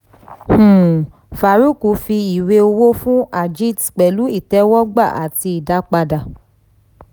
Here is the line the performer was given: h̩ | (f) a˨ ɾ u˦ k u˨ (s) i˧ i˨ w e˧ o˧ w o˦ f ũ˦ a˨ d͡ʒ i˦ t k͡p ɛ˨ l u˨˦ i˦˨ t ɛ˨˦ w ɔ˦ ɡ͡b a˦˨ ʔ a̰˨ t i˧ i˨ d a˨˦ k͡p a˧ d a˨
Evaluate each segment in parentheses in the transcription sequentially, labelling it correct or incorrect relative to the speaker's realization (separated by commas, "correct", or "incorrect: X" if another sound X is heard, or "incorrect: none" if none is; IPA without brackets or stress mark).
correct, incorrect: f